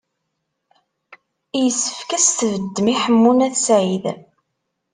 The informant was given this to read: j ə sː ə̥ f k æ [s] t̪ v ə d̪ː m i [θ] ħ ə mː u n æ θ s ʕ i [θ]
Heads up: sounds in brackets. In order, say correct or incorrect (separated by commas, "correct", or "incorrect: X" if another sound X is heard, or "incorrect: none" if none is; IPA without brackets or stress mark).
correct, incorrect: none, incorrect: ð